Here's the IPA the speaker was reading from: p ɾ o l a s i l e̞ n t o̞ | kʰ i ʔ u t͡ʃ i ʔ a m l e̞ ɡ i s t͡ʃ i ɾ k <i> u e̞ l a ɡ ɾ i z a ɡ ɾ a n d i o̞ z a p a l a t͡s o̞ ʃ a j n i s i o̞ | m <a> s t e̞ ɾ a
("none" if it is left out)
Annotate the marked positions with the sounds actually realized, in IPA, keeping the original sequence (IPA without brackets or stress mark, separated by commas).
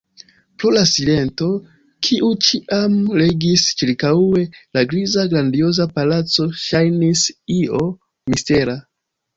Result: a, i